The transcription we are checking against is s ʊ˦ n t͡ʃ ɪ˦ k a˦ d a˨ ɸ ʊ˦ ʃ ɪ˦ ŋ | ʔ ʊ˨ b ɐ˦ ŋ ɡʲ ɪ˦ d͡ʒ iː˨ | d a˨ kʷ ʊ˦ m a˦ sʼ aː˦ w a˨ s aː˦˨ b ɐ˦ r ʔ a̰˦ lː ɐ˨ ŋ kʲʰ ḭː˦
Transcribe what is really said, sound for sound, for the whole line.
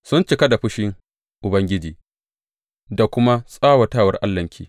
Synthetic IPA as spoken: s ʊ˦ n t͡ʃ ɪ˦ k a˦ d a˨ ɸ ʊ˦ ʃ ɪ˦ ŋ | ʔ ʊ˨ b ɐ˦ ŋ ɡʲ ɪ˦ d͡ʒ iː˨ | d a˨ kʷ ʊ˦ m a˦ sʼ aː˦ w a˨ t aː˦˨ w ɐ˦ r ʔ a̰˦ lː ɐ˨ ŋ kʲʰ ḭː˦